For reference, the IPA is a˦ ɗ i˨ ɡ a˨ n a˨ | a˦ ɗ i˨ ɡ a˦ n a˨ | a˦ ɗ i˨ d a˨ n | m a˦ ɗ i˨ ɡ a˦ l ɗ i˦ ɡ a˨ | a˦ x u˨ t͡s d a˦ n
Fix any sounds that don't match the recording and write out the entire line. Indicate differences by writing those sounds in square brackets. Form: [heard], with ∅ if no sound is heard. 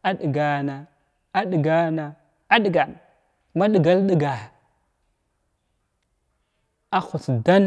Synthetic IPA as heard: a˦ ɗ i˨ ɡ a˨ n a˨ | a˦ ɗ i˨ ɡ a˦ n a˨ | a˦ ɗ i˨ [ɡ] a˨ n | m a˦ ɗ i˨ ɡ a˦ l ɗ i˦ ɡ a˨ | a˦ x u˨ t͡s d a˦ n